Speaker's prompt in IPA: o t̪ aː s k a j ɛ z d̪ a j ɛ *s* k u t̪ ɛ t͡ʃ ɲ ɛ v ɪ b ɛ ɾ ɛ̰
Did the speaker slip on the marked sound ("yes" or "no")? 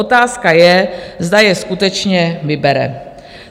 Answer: no